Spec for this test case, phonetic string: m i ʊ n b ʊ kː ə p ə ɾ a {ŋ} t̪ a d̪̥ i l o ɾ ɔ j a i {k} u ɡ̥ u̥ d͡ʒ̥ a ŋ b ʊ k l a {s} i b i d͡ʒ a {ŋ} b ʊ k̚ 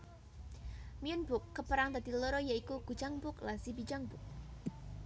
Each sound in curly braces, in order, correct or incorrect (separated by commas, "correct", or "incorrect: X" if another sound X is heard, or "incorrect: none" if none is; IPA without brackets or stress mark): correct, correct, correct, correct